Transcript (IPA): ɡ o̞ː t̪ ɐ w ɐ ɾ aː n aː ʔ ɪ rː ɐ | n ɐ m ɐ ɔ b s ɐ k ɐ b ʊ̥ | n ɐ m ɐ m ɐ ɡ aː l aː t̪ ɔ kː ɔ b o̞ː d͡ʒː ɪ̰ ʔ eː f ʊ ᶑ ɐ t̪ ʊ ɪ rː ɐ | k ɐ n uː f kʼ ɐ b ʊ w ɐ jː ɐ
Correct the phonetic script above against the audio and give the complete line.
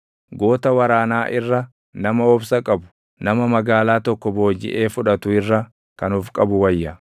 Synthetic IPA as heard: ɡ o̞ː t̪ ɐ w ɐ ɾ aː n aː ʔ ɪ rː ɐ | n ɐ m ɐ ɔ b s ɐ kʼ ɐ b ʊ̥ | n ɐ m ɐ m ɐ ɡ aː l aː t̪ ɔ kː ɔ b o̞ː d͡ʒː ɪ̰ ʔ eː f ʊ ᶑ ɐ t̪ ʊ ɪ rː ɐ | k ɐ n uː f kʼ ɐ b ʊ w ɐ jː ɐ